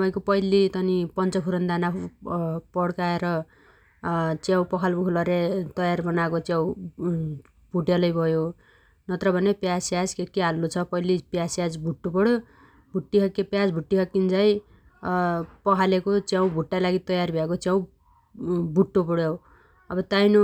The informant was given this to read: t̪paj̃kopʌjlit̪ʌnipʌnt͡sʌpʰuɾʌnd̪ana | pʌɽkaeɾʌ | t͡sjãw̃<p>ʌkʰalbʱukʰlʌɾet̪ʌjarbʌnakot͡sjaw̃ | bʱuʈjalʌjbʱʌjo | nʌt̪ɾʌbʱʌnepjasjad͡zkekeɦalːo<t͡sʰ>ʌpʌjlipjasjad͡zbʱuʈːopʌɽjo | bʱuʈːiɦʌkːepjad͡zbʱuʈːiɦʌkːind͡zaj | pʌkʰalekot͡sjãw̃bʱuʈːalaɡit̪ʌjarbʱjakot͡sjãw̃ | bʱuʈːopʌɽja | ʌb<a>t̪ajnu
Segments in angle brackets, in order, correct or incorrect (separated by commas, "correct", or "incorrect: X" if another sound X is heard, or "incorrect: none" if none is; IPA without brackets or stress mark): correct, correct, incorrect: ʌ